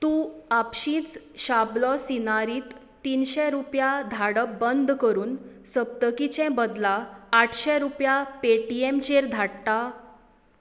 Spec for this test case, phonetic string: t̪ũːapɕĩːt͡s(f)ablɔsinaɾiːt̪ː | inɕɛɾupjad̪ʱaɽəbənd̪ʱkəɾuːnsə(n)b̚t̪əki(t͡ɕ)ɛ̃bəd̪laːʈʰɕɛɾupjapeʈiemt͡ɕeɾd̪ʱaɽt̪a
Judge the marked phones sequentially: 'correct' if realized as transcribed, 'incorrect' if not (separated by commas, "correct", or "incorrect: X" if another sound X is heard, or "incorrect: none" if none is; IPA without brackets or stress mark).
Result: incorrect: ɕ, incorrect: none, correct